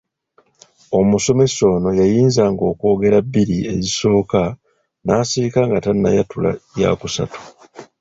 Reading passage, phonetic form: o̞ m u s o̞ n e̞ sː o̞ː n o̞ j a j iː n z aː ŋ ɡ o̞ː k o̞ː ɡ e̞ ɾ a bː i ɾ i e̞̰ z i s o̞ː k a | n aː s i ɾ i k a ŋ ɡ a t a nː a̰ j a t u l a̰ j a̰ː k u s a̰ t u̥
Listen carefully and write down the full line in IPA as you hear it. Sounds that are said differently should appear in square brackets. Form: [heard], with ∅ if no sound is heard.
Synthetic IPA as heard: o̞ m u s o̞ [m] e̞ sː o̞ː n o̞ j a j iː n z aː ŋ ɡ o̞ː k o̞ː ɡ e̞ ɾ a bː i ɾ i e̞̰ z i s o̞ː k a | n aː s i ɾ i k a ŋ ɡ a t a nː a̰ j a t u l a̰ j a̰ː k u s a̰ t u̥